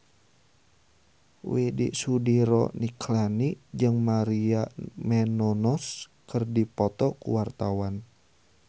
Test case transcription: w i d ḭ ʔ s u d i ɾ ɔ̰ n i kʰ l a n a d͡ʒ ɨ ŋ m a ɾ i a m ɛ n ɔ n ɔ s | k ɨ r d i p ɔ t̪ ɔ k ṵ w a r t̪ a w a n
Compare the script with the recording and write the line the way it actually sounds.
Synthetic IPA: w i d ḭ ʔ s u d i ɾ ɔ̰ n i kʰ l a n i d͡ʒ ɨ ŋ m a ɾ i a m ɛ n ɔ n ɔ s | k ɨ r d i p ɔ t̪ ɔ k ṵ w a r t̪ a w a n